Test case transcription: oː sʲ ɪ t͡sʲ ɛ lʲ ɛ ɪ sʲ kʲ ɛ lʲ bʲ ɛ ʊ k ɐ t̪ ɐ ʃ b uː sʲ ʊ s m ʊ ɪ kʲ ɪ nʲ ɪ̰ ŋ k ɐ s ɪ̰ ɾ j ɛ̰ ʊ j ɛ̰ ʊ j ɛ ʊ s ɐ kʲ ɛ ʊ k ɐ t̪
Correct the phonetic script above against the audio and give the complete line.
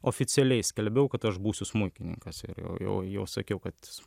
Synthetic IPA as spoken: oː fʲ ɪ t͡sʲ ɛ lʲ ɛ ɪ sʲ kʲ ɛ lʲ bʲ ɛ ʊ k ɐ t̪ ɐ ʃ b uː sʲ ʊ s m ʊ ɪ kʲ ɪ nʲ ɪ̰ ŋ k ɐ s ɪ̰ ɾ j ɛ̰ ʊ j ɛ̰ ʊ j ɛ ʊ s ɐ kʲ ɛ ʊ k ɐ t̪